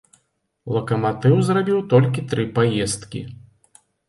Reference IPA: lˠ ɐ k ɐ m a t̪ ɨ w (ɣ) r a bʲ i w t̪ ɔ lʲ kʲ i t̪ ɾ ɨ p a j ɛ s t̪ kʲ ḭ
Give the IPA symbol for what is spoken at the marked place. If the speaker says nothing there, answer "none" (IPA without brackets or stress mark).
z